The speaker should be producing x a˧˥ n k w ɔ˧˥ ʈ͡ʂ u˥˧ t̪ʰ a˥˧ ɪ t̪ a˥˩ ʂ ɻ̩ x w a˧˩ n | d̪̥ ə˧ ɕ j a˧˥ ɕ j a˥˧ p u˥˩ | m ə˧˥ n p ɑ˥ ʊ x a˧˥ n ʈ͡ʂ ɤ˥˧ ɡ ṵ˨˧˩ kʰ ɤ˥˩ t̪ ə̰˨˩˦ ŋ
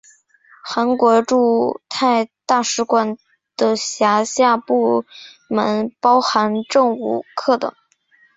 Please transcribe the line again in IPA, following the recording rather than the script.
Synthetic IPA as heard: x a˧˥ n k w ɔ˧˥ ʈ͡ʂ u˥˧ t̪ʰ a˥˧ ɪ t̪ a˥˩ ʂ ɻ̩ k w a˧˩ n | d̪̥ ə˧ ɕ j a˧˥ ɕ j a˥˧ p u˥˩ | m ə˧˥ n p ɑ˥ ʊ x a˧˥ n ʈ͡ʂ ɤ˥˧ ŋ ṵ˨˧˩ kʰ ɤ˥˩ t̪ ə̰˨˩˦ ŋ

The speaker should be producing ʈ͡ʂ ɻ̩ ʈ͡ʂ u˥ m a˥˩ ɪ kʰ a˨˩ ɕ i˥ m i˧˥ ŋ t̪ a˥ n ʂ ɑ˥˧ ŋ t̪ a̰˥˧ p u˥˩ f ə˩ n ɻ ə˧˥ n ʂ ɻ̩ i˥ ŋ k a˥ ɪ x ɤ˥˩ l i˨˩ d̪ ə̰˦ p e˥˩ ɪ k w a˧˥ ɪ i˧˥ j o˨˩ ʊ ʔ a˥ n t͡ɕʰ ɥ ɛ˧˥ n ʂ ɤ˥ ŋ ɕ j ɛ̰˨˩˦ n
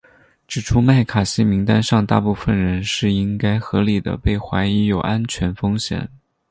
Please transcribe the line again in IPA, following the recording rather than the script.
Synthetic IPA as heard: ʈ͡ʂ ɻ̩ ʈ͡ʂʰ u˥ m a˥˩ ɪ kʰ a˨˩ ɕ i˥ m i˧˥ ŋ t̪ a˥ n ʂ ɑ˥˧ ŋ t̪ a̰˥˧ p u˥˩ f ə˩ n ɻ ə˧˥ n ʂ ɻ̩ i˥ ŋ k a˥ ɪ x ɤ˧˥ l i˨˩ d̪ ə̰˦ p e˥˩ ɪ x w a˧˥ ɪ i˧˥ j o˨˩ ʊ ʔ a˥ n t͡ɕʰ ɥ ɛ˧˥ n f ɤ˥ ŋ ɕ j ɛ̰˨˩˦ n

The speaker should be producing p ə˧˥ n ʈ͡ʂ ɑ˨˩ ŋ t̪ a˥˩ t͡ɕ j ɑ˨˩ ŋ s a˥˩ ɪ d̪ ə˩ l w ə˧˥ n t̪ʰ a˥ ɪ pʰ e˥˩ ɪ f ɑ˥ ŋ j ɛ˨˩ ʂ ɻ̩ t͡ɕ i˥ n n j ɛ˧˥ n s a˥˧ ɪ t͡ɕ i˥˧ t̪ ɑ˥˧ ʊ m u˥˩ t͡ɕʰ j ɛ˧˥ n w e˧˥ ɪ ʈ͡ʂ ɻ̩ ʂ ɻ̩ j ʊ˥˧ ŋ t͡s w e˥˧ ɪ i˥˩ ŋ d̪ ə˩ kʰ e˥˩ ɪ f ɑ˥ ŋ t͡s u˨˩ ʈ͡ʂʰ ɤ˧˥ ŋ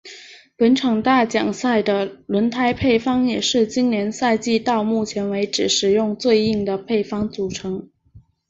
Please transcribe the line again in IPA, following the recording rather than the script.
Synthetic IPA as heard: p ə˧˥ n ʈ͡ʂʰ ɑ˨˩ ŋ t̪ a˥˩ t͡ɕ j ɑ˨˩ ŋ s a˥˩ ɪ d̪ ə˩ l w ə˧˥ n t̪ʰ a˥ ɪ pʰ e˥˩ ɪ f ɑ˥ ŋ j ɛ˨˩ ʂ ɻ̩ t͡ɕ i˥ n n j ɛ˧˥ n s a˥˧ ɪ t͡ɕ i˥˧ t̪ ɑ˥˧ ʊ m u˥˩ t͡ɕʰ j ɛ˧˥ n w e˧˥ ɪ ʈ͡ʂ ɻ̩ ʂ ɻ̩ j ʊ˥˧ ŋ t͡s w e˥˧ ɪ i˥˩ ŋ d̪ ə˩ pʰ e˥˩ ɪ f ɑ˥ ŋ t͡s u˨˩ ʈ͡ʂʰ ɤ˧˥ ŋ

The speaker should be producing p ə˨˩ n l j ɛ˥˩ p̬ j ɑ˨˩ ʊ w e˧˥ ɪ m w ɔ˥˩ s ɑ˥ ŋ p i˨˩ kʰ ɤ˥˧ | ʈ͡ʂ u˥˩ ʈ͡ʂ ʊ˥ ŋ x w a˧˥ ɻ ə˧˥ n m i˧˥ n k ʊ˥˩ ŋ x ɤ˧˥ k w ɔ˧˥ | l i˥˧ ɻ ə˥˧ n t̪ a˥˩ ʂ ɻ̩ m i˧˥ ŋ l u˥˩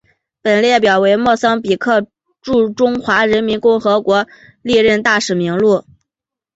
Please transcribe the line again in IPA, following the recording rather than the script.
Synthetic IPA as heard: p ə˨˩ n l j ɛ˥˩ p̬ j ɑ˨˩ ʊ w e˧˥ ɪ m w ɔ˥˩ s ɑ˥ ŋ p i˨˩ kʰ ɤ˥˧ | ʈ͡ʂ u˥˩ ʈ͡ʂ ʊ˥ ŋ x w a˧˥ ɻ ə˧˥ n m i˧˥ n k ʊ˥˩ ŋ x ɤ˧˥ k w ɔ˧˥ | l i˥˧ ɻ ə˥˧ n t̪ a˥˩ ʂ ɻ̩ m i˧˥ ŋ l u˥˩

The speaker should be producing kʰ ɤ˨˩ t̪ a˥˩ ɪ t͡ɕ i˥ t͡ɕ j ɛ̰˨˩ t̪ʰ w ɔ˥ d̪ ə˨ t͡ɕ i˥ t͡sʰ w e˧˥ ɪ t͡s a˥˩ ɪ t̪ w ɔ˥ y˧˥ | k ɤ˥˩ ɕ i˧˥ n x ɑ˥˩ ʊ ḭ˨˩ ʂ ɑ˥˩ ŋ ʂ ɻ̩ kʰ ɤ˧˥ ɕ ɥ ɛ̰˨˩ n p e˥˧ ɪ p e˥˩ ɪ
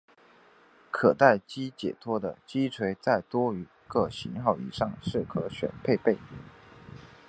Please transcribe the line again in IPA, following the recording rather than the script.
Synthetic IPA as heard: kʰ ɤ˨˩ t̪ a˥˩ ɪ t͡ɕ i˥ t͡ɕ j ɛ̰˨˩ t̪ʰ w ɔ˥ d̪ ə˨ t͡ɕ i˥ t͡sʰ w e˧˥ ɪ t͡s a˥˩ ɪ t̪ w ɔ˥ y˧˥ | k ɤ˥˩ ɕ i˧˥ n x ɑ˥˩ ʊ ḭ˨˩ ʂ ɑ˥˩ ŋ ʂ ɻ̩ kʰ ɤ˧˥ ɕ ɥ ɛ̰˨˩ n pʰ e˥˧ ɪ p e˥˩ ɪ

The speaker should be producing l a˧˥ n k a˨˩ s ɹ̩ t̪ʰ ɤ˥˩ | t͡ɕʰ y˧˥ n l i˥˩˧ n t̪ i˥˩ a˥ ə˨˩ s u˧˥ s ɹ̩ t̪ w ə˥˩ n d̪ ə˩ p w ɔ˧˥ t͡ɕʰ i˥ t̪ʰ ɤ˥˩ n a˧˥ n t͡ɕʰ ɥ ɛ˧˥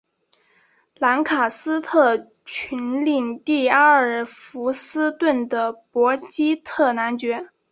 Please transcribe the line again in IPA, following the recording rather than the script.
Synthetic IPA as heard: l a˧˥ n kʰ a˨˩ s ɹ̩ t̪ʰ ɤ˥˩ | t͡ɕʰ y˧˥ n l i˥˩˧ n t̪ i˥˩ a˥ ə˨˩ f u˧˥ s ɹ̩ t̪ w ə˥˩ n d̪ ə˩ p w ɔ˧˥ t͡ɕ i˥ t̪ʰ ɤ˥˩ n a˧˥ n t͡ɕ ɥ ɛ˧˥

